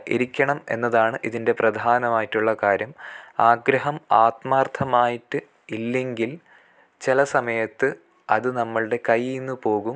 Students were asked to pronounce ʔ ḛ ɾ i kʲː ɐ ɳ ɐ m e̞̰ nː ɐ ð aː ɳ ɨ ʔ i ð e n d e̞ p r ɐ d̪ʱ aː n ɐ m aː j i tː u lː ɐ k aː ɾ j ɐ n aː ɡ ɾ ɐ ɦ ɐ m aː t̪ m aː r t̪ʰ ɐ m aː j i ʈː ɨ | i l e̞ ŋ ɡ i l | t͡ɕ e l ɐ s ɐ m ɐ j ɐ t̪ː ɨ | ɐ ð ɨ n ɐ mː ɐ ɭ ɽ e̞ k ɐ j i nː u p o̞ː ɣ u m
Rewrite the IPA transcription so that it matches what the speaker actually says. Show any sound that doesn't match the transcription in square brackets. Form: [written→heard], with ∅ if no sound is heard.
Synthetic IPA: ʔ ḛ ɾ i kʲː ɐ ɳ ɐ m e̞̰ nː ɐ ð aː ɳ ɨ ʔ i ð [e→i] n d e̞ p r ɐ d̪ʱ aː n ɐ m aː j i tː u [lː→ɭː] ɐ k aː ɾ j ɐ [n→m] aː ɡ ɾ ɐ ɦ ɐ m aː t̪ m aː r t̪ʰ ɐ m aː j i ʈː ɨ | i [l→lː] e̞ ŋ ɡ i l | t͡ɕ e l ɐ s ɐ m ɐ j ɐ t̪ː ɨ | ɐ ð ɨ n ɐ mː ɐ ɭ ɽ e̞ k ɐ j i nː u p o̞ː ɣ u m